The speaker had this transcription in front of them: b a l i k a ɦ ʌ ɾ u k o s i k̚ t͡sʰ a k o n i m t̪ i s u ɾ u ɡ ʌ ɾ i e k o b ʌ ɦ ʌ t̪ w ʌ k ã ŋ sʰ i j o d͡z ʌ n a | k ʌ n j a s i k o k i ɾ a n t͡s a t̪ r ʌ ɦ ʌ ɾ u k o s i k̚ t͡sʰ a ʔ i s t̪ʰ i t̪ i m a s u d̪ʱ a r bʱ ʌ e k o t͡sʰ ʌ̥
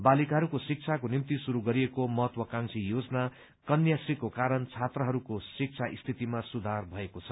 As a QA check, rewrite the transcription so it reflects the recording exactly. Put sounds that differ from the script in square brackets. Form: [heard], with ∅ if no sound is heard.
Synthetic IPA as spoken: b a l i k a ɦ ʌ ɾ u k o s i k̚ t͡sʰ a k o n i m t̪ i s u ɾ u ɡ ʌ ɾ i e k o [m] ʌ ɦ ʌ t̪ w ʌ k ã ŋ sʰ i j o d͡z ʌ n a | k ʌ n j a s i k o k [a] ɾ [ʌ] n [t͡sʰ] a t̪ r ʌ ɦ ʌ ɾ u k o s i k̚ t͡sʰ a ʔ i s t̪ʰ i t̪ i m a s u d̪ʱ a r bʱ ʌ e k o t͡sʰ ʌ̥

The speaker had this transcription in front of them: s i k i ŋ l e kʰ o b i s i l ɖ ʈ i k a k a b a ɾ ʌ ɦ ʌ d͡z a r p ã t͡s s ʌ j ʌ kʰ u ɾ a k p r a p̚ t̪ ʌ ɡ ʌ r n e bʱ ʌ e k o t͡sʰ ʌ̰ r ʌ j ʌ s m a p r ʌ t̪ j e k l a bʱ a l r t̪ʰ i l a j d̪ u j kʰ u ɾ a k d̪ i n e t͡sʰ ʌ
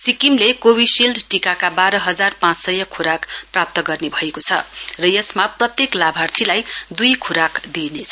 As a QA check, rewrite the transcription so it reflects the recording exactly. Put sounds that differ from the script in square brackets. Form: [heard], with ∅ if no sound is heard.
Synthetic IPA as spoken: s i k i [m] l e [k] o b i s i l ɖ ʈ i k a k a b a ɾ ʌ ɦ ʌ d͡z a r p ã t͡s s ʌ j ʌ kʰ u ɾ a k p r a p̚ t̪ ʌ ɡ ʌ r n e bʱ ʌ e k o t͡sʰ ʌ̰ r ʌ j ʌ s m a p r ʌ t̪ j e k l a bʱ a [∅] r t̪ʰ i l a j d̪ u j kʰ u ɾ a k d̪ i n e t͡sʰ ʌ

